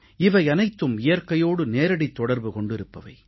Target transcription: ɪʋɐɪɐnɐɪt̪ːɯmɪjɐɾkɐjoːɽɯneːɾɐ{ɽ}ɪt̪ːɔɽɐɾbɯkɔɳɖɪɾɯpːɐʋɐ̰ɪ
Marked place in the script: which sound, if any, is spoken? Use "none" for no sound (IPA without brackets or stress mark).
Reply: ɽ